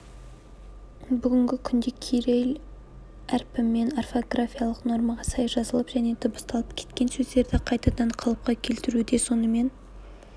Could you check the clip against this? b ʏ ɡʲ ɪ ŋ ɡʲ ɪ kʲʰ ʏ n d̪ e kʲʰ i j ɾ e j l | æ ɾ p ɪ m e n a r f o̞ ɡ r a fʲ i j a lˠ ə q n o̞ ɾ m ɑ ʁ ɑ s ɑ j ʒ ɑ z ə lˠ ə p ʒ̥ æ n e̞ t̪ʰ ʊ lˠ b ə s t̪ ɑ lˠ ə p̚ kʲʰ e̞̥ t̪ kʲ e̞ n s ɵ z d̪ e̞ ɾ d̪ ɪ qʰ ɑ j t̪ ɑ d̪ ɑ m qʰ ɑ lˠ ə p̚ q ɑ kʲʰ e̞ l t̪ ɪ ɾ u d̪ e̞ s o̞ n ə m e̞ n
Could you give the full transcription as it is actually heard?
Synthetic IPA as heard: b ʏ ɡʲ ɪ ŋ ɡʲ ɪ kʲʰ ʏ n d̪ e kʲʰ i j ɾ e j l | æ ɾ p ɪ m e n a r f o̞ ɡ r a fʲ i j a lˠ ə q n o̞ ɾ m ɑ ʁ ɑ s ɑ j ʒ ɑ z ə lˠ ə p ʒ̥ æ n e̞ t̪ʰ ʊ b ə s t̪ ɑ lˠ ə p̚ kʲʰ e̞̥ t̪ kʲ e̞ n s ɵ z d̪ e̞ ɾ d̪ ɪ qʰ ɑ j t̪ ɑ d̪ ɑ ɴ qʰ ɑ lˠ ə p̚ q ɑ kʲʰ e̞ l t̪ ɪ ɾ u d̪ e̞ s o̞ n ə m e̞ n

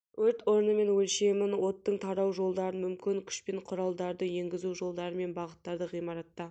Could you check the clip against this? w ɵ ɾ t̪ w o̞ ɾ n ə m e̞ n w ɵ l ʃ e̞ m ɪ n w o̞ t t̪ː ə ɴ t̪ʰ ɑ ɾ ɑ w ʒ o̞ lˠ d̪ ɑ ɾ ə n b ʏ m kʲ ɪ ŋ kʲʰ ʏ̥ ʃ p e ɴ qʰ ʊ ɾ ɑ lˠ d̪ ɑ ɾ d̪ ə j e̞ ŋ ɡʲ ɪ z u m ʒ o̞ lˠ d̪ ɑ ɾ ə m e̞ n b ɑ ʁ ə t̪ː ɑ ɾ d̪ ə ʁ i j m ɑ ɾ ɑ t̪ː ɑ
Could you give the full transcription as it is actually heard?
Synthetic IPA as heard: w ɵ ɾ t̪ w o̞ ɾ n ə m e̞ n w ɵ l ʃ e̞ m ɪ n w o̞ t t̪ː ə ɴ t̪ʰ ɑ ɾ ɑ w ʒ o̞ lˠ d̪ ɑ ɾ ə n m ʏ m kʲ ɪ ŋ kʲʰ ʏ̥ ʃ p e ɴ qʰ ʊ ɾ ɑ lˠ d̪ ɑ ɾ d̪ ə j e̞ ŋ ɡʲ ɪ z u ʒ o̞ lˠ d̪ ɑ ɾ ə m e̞ n b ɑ ʁ ə t̪ː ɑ ɾ d̪ ə ʁ i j m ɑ ɾ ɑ t̪ː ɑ

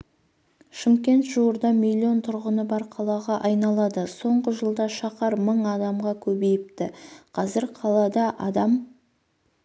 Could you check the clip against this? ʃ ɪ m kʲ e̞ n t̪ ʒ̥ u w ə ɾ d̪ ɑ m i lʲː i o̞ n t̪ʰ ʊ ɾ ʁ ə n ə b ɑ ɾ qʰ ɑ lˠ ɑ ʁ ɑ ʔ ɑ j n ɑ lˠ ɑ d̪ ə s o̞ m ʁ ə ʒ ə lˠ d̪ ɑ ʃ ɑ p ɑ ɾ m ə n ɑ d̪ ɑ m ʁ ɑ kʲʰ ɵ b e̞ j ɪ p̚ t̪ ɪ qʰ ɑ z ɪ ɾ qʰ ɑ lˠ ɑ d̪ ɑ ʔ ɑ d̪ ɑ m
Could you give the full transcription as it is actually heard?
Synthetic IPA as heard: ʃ ɪ m kʲ e̞ n t̪ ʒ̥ u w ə ɾ d̪ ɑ m i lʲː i o̞ n t̪ʰ ʊ ɾ ʁ ə n ə b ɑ ɾ qʰ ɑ lˠ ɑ ʁ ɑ ʔ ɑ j n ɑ lˠ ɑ d̪ ə s o̞ ɴ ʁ ə ʒ ə lˠ d̪ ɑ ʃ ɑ q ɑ ɾ m ə ɴ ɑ d̪ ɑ m ʁ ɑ kʲʰ ɵ b e̞ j ɪ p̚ t̪ ɪ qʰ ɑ z ɪ ɾ qʰ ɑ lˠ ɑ d̪ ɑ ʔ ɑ d̪ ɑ m

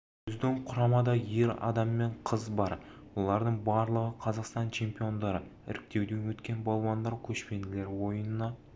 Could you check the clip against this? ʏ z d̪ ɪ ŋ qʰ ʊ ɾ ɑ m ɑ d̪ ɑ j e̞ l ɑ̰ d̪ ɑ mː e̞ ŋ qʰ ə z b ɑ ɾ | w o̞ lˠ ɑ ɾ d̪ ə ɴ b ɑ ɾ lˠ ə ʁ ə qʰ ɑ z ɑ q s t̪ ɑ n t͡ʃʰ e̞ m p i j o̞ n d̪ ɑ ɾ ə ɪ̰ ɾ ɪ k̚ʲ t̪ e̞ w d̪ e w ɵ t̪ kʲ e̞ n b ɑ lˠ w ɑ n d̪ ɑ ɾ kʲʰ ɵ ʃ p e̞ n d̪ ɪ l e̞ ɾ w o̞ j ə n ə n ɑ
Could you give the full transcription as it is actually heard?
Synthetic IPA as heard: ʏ z d̪ ɪ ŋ qʰ ʊ ɾ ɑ m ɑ d̪ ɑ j e̞ ɾ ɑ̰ d̪ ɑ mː e̞ ɴ qʰ ə z b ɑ ɾ | w o̞ lˠ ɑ ɾ d̪ ə ɴ b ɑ ɾ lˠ ə ʁ ə qʰ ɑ z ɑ q s t̪ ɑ n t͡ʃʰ e̞ m p i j o̞ n d̪ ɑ ɾ ə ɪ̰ ɾ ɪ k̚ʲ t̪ e̞ w d̪ e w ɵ t̪ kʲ e̞ n b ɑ lˠ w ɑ n d̪ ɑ ɾ kʲʰ ɵ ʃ p e̞ n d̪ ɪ l e̞ ɾ w o̞ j ə n ə n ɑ

